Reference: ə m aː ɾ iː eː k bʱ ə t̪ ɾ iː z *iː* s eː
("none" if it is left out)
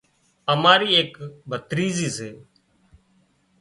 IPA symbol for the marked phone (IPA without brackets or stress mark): iː